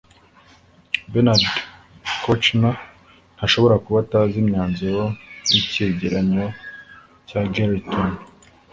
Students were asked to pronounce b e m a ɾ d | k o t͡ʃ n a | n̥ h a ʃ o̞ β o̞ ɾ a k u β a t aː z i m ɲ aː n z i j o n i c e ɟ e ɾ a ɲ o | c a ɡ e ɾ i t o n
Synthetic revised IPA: b e n a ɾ d | k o t͡ʃ n a | n̥ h a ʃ o̞ β o̞ ɾ a k u β a t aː z i m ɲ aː n z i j o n i c e ɟ e ɾ a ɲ o | c a ɡ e ɾ i t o n

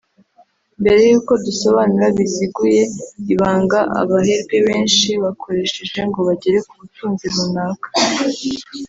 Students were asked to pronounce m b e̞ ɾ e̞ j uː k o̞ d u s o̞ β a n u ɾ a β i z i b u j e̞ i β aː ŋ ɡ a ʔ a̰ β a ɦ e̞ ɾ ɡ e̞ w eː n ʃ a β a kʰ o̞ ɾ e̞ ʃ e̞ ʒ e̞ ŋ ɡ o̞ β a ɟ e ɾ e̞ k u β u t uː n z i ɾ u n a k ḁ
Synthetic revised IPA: m b e̞ ɾ e̞ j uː k o̞ d u s o̞ β a n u ɾ a β i z i ɡ u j e̞ i β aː ŋ ɡ a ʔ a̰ β a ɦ e̞ ɾ ɡ e̞ β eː n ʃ i β a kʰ o̞ ɾ e̞ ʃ e̞ ʒ e̞ ŋ ɡ o̞ β a ɟ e ɾ e̞ k u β u t uː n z i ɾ u n a k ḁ

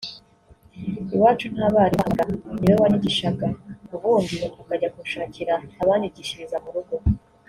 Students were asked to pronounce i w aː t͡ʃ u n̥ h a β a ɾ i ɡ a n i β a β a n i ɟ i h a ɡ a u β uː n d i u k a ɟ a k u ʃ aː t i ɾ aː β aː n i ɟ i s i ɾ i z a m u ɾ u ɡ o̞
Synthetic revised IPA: i w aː t͡ʃ u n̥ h a β a ɾ i ɡ a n i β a β a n i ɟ i ʃ a ɡ a u β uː n d i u k a ɟ a k u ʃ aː c i ɾ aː β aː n i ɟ i ʃ i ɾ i z a m u ɾ u ɡ o̞

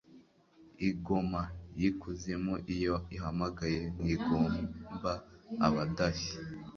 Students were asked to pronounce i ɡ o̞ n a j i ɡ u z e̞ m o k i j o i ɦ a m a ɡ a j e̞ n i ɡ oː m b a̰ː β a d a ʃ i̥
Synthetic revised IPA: i ɡ o̞ m a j i k u z e̞ m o ʔ i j o i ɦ a m a ɡ a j e̞ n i ɡ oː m b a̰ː β a d a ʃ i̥

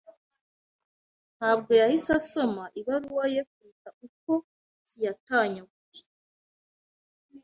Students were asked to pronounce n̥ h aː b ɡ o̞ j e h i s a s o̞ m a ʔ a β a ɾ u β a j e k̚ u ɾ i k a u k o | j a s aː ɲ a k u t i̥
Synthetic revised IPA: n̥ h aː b ɡ o̞ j a h i s a s o̞ m a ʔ i β a ɾ u w a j e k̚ u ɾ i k a u k o | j a t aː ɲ a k u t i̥

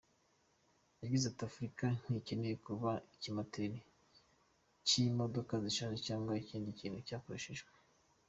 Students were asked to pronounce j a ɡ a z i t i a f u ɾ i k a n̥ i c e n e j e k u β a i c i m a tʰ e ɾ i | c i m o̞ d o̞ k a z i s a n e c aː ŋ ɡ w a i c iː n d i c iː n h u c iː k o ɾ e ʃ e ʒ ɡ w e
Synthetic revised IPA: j a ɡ i z a t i a f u ɾ i k a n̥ i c e n e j e k u β a i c i m a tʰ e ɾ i | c i m o̞ d o̞ k a z i ʃ a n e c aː ŋ ɡ w a i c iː n d i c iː n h u c aː k o ɾ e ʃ e ʒ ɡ w e

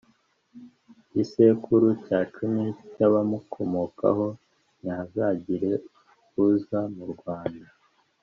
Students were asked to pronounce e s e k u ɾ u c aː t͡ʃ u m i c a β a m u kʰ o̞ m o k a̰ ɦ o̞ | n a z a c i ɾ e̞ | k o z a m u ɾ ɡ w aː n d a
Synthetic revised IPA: i s e k u ɾ u c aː t͡ʃ u m i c a β a m u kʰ o̞ m o k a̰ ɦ o̞ | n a z a ɟ i ɾ e̞ | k u z a m u ɾ ɡ w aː n d a

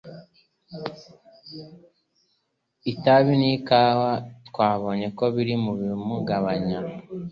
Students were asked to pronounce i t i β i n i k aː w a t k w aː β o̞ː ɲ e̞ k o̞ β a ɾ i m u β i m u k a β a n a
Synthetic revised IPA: i t a β i n i k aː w a t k w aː β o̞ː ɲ e̞ k o̞ β i ɾ i m u β i m u ɡ a β a ɲ a

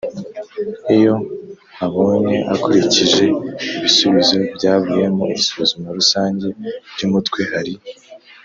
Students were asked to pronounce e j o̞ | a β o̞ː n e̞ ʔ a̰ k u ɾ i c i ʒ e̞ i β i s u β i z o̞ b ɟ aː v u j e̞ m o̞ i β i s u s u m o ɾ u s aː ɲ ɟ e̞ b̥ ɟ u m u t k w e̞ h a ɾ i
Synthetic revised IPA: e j o̞ | a β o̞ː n e̞ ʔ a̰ k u ɾ i c i ʒ e̞ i β i s u β i z o̞ b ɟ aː β u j e̞ m o̞ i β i s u z u m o ɾ u s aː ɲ ɟ e̞ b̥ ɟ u m u t k w e̞ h a ɾ i

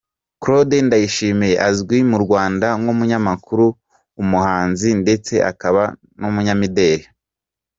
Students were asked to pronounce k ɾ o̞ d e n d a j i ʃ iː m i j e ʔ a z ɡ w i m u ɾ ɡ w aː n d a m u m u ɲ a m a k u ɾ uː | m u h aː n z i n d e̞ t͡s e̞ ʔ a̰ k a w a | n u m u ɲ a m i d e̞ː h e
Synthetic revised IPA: k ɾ o̞ d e n d a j i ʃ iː m i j e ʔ a z ɡ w i m u ɾ ɡ w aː n d a ŋ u m u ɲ a m a k u ɾ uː | m u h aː n z i n d e̞ t͡s e̞ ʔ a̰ k a β a | n u m u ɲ a m i d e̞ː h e

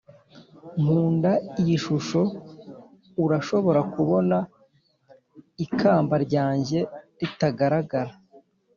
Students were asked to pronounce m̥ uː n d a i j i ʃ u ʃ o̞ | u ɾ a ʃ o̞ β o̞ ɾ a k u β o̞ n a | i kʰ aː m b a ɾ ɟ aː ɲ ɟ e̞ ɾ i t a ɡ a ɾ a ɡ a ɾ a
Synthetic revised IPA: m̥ uː n d a i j i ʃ u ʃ o̞ | u ɾ a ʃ o̞ β o̞ ɾ a k u β o̞ n a | i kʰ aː m b a ɾ ɟ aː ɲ ɟ e̞ ɾ i t a ɡ a ɾ a ɡ a ɾ a

